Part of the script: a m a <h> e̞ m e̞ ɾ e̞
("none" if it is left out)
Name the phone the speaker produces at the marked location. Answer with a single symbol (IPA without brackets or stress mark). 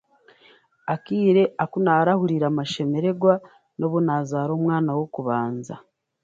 ʃ